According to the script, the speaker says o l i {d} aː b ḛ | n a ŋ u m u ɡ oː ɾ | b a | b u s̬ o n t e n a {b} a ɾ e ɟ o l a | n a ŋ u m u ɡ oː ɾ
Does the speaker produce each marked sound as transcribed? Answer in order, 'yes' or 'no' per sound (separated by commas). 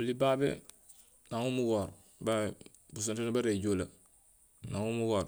no, yes